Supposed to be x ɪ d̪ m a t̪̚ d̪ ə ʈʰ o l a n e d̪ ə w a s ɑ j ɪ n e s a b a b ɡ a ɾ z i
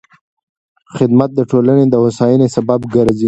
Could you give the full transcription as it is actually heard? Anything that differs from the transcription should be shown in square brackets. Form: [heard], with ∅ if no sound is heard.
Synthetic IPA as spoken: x ɪ d̪ m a t̪̚ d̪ ə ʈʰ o l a n e d̪ ə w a s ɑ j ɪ n e s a b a b ɡ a ɾ z i